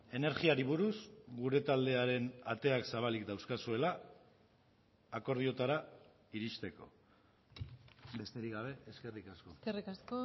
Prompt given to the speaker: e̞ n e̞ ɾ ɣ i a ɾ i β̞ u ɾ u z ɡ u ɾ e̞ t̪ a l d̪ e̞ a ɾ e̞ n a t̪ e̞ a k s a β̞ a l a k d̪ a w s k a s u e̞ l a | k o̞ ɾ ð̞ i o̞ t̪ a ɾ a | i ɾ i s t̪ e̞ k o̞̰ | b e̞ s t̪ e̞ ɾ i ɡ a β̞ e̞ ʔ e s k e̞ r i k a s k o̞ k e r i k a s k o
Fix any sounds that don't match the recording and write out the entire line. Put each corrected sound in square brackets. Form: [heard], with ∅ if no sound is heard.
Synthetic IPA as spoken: e̞ n e̞ ɾ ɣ i a ɾ i β̞ u ɾ u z ɡ u ɾ e̞ t̪ a l d̪ e̞ a ɾ e̞ n a t̪ e̞ a k s a β̞ a l [i] k d̪ a w s k a s u e̞ l a | k o̞ ɾ ð̞ i o̞ t̪ a ɾ a | i ɾ i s t̪ e̞ k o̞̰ | b e̞ s t̪ e̞ ɾ i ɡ a β̞ e̞ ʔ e s k e̞ r i k a s k o̞ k e r i k a s k o